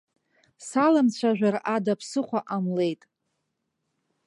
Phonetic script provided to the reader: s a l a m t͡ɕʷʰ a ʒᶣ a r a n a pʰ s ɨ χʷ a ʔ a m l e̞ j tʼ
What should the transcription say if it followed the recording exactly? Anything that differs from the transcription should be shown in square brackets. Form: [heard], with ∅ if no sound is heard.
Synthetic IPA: s a l a m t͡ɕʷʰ a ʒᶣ a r a [d] a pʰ s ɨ χʷ a ʔ a m l e̞ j tʼ